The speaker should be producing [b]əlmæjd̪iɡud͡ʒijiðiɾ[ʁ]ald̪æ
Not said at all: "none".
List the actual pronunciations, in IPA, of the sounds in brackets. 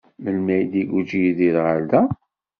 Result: m, ʁ

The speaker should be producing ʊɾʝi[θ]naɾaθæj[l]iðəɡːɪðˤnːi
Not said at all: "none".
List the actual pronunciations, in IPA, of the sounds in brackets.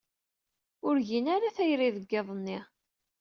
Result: none, ɾ

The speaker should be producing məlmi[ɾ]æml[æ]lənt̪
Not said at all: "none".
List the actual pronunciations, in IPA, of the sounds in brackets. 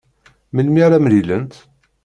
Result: ɾ, i

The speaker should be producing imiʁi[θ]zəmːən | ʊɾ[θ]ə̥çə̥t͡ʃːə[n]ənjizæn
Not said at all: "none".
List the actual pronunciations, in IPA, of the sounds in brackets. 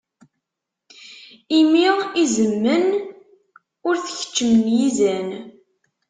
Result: none, θ, m

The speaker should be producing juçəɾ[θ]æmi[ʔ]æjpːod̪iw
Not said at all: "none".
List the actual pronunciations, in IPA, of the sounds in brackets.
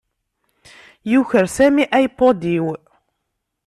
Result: s, ʔ

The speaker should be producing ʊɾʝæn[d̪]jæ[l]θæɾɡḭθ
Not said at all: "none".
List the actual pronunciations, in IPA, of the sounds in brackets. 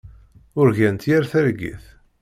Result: t̪, ɾ

